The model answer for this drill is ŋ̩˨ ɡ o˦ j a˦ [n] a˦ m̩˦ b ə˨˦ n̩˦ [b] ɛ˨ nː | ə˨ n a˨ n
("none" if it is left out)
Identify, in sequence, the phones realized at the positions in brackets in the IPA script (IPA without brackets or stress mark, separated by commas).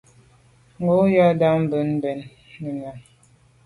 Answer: d, b